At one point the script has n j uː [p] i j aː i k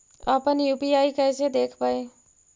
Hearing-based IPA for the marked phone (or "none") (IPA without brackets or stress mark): p